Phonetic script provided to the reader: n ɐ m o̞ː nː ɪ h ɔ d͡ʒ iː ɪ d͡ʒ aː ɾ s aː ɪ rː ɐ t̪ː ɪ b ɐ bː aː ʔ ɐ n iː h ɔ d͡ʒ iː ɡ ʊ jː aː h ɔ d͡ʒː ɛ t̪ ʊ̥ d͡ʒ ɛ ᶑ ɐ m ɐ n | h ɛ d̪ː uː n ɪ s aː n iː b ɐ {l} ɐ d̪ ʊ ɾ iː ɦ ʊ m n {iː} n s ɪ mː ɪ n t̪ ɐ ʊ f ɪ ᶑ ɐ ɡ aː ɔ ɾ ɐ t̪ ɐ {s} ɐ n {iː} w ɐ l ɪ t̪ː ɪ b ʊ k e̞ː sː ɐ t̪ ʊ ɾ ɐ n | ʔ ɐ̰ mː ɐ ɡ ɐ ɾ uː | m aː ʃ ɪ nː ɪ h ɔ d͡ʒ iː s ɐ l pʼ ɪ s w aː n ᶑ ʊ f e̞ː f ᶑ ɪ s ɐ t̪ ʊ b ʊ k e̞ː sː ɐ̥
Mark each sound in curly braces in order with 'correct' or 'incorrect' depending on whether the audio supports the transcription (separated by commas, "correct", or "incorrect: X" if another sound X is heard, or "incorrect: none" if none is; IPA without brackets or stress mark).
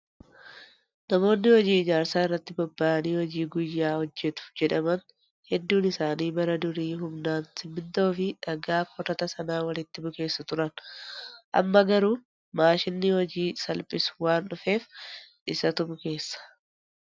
incorrect: ɾ, incorrect: aː, correct, incorrect: aː